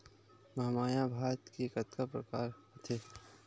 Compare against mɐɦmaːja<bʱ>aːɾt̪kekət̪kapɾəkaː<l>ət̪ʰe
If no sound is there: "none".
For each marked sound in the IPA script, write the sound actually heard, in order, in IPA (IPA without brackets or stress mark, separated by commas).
bʱ, ɾ